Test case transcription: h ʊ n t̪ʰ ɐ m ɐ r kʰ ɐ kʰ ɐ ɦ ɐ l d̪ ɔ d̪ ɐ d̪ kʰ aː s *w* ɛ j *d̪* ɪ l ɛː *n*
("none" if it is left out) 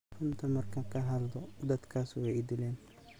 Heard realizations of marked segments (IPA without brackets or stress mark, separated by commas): w, d̪, n